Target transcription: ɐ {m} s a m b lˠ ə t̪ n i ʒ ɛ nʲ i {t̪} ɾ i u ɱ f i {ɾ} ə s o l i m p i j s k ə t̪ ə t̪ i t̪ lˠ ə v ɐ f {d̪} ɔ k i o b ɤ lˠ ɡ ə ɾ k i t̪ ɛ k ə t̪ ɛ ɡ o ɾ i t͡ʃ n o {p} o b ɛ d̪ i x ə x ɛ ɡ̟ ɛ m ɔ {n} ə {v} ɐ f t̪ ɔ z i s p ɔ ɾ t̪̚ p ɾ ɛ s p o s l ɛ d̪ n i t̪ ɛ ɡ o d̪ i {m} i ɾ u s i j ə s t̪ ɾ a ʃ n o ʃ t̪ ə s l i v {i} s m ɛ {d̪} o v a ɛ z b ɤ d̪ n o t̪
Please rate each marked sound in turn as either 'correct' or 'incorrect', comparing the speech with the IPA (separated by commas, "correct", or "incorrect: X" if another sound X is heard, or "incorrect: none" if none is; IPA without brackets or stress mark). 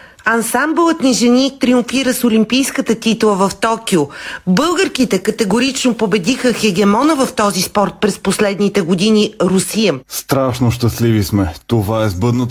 incorrect: n, correct, correct, incorrect: t̪, correct, correct, correct, incorrect: n, correct, incorrect: t̪